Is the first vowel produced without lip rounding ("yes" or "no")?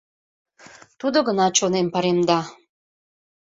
no